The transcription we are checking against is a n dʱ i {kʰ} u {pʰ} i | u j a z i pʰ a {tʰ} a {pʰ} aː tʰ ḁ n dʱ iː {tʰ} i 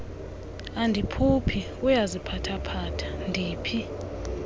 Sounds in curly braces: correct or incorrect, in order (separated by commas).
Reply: incorrect, correct, correct, correct, incorrect